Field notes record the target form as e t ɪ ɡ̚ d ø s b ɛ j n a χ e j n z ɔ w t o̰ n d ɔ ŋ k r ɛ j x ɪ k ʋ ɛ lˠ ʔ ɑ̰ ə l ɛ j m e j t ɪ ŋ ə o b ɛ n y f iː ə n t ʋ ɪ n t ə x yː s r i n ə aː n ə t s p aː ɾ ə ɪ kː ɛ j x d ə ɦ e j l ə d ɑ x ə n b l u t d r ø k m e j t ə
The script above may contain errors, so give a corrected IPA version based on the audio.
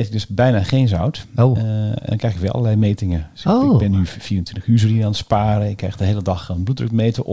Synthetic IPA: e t ɪ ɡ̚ d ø s b ɛ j n a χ e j n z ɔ w t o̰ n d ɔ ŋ k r ɛ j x ɪ k ʋ ɛ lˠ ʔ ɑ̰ ə l ɛ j m e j t ɪ ŋ ə o b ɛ n y f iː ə n t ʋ ɪ n t ə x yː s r i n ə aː n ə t s p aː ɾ ə ɪ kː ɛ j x d ə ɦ e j l ə d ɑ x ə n b l u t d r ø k m e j t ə